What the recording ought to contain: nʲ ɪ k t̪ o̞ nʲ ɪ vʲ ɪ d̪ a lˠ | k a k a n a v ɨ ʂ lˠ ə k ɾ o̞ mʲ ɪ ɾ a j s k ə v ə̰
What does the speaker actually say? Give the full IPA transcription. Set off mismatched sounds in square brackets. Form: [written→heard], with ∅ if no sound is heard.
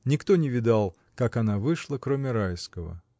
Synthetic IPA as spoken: nʲ ɪ k t̪ o̞ nʲ ɪ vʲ ɪ d̪ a lˠ | k a k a n a v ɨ ʂ lˠ ə k ɾ o̞ mʲ ɪ ɾ a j s k ə v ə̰